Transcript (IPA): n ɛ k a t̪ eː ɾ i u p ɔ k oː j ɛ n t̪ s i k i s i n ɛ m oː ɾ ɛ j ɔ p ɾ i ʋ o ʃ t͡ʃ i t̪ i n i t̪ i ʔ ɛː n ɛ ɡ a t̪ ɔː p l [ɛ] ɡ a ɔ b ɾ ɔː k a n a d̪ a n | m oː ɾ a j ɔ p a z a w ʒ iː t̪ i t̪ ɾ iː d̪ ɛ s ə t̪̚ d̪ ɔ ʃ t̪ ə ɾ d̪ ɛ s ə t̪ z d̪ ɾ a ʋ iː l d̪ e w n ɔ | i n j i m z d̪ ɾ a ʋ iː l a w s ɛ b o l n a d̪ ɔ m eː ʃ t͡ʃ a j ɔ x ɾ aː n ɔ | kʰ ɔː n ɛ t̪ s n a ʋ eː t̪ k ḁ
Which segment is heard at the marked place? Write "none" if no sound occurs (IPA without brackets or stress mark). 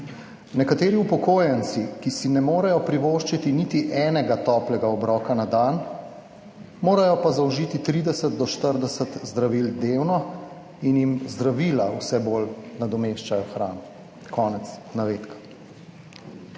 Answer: ɛ